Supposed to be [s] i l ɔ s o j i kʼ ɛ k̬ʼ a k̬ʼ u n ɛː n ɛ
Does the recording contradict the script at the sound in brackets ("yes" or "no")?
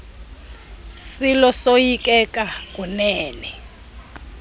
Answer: no